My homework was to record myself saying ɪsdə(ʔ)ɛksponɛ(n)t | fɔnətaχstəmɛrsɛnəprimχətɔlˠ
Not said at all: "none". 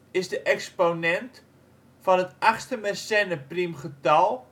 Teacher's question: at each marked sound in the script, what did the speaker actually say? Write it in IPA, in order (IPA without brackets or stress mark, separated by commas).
ʔ, n